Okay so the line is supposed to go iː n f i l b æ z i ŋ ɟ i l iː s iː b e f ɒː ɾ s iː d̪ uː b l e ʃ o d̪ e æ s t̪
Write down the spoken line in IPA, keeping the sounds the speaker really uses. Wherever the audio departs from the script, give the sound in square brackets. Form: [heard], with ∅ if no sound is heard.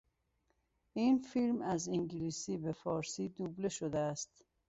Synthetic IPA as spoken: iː n f i l [m] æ z i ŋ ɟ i l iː s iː b e f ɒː ɾ s iː d̪ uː b l e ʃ o d̪ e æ s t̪